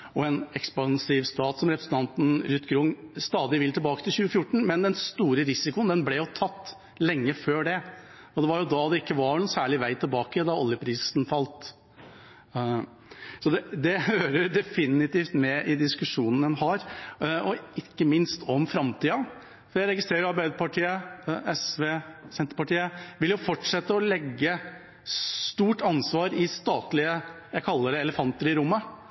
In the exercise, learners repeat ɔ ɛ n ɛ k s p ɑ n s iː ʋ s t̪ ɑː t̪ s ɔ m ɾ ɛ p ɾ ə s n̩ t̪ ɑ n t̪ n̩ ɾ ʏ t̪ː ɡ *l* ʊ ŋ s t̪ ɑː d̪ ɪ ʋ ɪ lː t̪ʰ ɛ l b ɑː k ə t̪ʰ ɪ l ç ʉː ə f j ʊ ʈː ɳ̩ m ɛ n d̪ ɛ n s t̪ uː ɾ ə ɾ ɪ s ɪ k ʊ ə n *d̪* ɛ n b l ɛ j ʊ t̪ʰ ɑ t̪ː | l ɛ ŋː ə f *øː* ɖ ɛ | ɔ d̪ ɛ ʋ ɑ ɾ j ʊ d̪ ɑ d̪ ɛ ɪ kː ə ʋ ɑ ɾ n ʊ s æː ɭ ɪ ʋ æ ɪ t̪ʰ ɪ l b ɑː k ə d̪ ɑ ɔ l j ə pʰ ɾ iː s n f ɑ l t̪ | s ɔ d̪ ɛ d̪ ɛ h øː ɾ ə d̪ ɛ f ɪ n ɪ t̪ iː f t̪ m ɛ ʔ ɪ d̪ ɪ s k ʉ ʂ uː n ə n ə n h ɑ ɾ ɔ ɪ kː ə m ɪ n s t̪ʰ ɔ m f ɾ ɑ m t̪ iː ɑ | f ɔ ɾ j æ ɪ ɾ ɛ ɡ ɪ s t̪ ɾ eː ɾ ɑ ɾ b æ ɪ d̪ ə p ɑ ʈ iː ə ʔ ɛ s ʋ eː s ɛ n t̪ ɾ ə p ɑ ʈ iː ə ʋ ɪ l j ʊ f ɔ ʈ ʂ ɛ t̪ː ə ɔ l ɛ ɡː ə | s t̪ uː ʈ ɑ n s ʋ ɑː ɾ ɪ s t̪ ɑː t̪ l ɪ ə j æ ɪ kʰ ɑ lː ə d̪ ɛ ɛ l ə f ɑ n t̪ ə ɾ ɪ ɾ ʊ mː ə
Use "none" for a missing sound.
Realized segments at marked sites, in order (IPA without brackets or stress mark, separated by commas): ɾ, d̪, øː